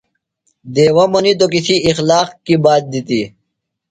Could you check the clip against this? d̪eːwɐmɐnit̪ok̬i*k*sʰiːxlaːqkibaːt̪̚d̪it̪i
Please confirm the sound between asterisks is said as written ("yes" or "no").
no